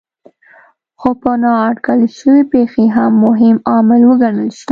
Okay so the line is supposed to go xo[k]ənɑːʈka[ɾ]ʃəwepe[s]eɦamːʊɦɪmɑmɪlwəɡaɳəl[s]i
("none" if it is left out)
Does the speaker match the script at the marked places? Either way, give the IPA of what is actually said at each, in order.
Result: p, l, x, ʃ

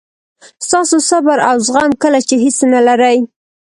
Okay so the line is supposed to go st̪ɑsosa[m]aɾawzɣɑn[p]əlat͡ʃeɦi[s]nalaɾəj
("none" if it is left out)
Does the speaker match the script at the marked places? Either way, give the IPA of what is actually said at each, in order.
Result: b, k, s

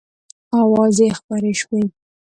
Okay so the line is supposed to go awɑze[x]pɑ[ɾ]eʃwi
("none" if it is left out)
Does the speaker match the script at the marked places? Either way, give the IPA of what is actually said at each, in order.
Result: x, ɾ

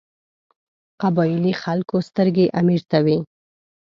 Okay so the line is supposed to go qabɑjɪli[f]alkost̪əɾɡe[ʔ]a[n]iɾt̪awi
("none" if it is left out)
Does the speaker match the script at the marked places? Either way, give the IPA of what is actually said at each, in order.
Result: x, ʔ, m

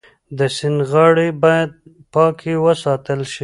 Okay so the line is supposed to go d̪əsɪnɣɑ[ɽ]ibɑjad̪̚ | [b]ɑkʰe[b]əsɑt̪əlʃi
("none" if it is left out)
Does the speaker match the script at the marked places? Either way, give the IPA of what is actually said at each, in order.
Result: ɽ, p, w

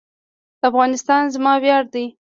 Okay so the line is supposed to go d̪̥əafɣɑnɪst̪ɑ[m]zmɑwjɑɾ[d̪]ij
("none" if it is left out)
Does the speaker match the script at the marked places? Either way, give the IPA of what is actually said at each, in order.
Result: n, d̪

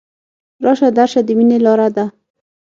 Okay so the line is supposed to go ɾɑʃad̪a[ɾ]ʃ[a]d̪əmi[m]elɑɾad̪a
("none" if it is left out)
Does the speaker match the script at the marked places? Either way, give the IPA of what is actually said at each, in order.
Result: ɾ, a, n

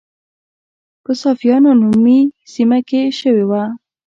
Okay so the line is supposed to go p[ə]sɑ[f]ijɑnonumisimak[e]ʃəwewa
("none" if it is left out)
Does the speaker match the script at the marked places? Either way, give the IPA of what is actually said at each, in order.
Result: ə, f, e

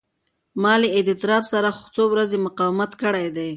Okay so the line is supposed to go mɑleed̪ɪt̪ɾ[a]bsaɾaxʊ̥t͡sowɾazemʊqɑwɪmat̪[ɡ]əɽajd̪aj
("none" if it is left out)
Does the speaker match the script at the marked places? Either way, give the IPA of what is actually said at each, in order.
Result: ɑ, k

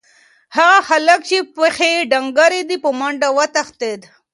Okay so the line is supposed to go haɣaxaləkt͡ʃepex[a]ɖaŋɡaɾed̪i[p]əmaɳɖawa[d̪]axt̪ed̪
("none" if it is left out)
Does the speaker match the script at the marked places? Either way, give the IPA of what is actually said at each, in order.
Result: e, p, t̪

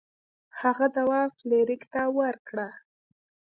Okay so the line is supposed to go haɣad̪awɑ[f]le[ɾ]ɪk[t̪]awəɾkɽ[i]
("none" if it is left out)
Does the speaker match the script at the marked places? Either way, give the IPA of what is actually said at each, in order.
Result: f, ɾ, t̪, a

